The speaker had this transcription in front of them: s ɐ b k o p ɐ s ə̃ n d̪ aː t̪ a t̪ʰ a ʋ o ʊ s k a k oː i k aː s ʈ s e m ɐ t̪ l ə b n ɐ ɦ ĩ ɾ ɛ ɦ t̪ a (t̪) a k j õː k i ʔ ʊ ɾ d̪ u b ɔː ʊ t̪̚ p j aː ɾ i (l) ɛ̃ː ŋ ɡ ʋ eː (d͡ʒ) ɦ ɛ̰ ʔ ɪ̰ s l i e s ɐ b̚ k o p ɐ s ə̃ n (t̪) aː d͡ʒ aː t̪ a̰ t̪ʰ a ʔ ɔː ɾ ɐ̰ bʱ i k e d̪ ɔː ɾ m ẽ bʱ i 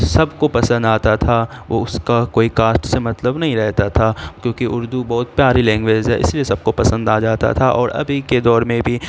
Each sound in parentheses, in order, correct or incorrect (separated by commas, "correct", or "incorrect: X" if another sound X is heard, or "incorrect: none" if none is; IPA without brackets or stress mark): incorrect: t̪ʰ, correct, correct, incorrect: d̪